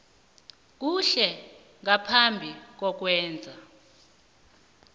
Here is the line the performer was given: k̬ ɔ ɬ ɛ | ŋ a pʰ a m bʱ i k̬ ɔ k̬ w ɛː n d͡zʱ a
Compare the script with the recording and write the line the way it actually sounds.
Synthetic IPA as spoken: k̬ u ɬ ɛ | ŋ a pʰ a m bʱ i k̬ ɔ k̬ w ɛː n d͡zʱ a